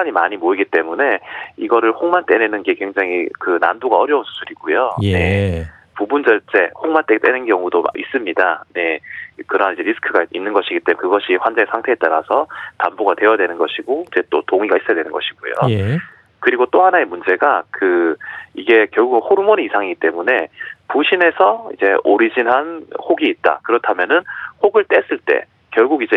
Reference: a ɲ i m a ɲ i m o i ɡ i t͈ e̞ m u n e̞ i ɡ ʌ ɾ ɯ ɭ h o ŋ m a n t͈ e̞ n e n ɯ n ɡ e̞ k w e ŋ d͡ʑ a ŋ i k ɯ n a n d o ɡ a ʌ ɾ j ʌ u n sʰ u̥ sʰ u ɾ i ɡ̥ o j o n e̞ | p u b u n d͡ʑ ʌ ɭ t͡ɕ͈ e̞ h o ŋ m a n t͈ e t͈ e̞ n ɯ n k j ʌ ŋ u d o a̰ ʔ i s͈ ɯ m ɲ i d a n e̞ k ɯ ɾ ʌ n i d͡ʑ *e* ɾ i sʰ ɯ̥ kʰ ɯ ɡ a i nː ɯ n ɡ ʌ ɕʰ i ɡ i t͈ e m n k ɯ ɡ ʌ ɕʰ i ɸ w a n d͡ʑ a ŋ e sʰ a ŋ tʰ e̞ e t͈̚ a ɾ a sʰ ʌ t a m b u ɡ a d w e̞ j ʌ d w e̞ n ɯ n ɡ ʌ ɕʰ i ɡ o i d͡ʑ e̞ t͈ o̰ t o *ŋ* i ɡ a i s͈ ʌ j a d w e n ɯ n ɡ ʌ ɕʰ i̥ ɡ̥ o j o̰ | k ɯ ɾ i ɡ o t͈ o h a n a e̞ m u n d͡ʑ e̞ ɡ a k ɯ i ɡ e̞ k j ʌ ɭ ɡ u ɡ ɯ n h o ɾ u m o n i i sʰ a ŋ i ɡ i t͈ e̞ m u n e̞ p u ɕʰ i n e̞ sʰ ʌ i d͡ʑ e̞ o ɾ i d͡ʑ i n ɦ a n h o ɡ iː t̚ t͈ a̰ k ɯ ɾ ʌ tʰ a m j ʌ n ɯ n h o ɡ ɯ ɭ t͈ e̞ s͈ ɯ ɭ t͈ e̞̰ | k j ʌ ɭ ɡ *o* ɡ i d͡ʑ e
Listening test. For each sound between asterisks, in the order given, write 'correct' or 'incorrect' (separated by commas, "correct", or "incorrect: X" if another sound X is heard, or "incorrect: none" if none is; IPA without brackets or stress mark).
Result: correct, correct, incorrect: u